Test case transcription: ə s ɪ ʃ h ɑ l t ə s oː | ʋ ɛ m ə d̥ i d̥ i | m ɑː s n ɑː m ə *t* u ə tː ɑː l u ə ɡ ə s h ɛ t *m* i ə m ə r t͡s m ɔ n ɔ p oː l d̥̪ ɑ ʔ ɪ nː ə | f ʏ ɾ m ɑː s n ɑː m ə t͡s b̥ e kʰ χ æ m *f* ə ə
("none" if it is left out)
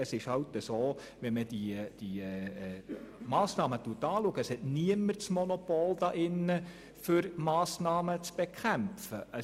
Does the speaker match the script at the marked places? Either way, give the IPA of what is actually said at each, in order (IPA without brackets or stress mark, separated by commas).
t, n, f